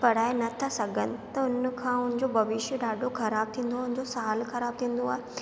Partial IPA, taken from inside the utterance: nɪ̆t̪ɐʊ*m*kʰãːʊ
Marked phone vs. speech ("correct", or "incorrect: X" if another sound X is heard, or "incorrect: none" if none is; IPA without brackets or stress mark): incorrect: n